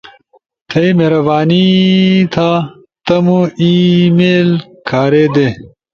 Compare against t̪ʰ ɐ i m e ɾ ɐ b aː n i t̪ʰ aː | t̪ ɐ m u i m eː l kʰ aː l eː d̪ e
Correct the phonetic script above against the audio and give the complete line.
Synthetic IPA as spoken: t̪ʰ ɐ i m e ɾ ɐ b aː n i t̪ʰ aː | t̪ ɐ m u i m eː l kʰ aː ɾ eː d̪ e